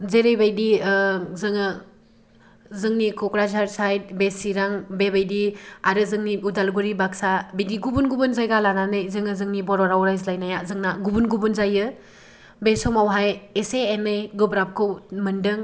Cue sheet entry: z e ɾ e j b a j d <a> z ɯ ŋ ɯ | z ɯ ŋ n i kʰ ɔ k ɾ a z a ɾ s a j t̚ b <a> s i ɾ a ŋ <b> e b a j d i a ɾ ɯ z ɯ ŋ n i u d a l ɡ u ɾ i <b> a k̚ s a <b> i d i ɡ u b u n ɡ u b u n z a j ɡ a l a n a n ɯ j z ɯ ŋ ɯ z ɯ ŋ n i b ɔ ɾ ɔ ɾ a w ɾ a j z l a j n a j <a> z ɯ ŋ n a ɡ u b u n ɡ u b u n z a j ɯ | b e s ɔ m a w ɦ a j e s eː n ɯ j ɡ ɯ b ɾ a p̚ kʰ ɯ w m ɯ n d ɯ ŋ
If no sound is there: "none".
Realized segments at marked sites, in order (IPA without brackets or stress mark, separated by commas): i, e, b, b, b, a